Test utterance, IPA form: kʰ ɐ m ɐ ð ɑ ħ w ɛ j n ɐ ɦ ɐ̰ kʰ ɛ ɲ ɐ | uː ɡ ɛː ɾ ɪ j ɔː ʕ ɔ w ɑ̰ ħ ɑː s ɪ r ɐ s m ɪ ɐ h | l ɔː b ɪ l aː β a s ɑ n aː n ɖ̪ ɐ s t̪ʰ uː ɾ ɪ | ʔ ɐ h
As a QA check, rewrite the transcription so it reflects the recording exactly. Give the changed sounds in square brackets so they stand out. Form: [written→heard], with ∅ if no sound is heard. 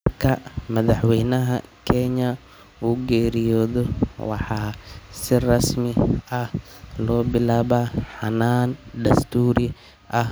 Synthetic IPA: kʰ ɐ m ɐ ð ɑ ħ w ɛ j n ɐ ɦ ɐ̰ kʰ ɛ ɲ ɐ | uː ɡ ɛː ɾ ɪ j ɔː [ʕ→ð] ɔ w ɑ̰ ħ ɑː s ɪ r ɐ s m ɪ ɐ h | l ɔː b ɪ l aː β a [s→ħ] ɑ n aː n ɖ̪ ɐ s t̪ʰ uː ɾ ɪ | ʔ ɐ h